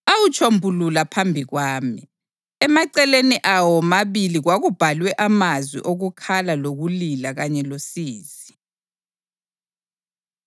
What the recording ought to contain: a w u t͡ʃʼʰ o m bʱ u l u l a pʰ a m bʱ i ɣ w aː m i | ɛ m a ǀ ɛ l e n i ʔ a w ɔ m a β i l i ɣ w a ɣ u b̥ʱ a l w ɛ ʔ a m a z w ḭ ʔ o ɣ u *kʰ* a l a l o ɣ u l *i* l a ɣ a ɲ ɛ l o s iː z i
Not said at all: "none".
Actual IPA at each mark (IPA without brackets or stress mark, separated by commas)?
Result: kʰ, i